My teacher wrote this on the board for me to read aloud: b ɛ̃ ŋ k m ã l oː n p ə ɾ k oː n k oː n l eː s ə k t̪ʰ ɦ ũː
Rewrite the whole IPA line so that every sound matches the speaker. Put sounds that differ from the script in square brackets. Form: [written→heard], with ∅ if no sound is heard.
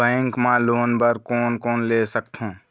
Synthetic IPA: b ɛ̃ ŋ k m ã l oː n [p→b] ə ɾ k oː n k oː n l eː s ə k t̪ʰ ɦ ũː